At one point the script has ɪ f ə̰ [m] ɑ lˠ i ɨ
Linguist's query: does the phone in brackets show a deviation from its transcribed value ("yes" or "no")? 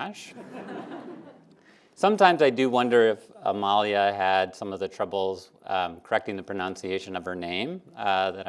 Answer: no